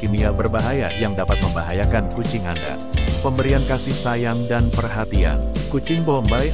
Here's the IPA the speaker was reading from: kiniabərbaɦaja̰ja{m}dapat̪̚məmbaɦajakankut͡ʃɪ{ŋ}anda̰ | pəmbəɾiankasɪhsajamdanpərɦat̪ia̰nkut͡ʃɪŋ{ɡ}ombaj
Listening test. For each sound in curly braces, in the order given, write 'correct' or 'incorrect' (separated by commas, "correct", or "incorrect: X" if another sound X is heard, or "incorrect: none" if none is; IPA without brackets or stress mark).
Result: incorrect: ŋ, correct, incorrect: b